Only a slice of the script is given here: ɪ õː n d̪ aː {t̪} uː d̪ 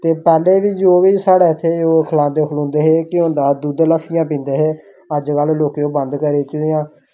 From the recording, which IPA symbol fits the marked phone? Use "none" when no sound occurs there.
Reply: d̪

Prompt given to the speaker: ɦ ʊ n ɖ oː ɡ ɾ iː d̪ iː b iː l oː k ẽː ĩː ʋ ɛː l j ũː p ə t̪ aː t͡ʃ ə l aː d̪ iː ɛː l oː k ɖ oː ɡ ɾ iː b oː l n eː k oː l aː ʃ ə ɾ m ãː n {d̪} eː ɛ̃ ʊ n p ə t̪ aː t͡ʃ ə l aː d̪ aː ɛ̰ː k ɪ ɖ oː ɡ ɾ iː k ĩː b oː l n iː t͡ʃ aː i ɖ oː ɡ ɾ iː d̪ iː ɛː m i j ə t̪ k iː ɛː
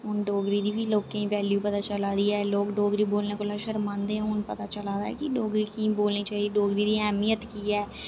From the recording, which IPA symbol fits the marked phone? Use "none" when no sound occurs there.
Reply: d̪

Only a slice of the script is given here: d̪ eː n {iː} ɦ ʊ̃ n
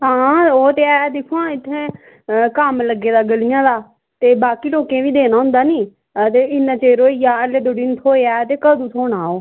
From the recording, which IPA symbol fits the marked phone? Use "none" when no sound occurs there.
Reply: aː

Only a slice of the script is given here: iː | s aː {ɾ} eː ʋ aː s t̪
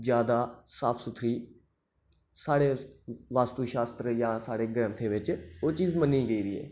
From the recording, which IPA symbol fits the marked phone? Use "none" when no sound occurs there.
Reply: ɽ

